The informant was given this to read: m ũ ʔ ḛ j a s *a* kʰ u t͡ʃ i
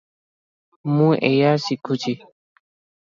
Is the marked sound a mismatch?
yes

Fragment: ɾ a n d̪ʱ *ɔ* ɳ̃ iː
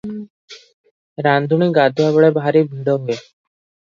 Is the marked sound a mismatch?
yes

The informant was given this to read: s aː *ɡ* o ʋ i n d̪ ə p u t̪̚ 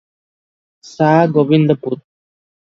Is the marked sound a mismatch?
no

